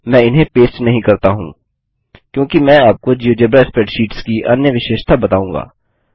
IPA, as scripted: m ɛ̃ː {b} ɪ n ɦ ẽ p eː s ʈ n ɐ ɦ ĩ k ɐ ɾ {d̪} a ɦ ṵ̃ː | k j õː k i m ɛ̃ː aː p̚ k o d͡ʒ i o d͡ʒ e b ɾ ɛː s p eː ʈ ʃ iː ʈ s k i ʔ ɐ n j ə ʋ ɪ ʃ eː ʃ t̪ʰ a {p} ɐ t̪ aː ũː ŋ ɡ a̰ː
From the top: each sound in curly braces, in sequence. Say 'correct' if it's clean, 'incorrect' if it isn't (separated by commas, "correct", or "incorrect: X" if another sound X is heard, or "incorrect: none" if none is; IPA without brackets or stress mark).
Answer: incorrect: none, incorrect: t̪, incorrect: b